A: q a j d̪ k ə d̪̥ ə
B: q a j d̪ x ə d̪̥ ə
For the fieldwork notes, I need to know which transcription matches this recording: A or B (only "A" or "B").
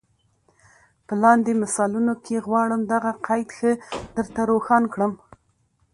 B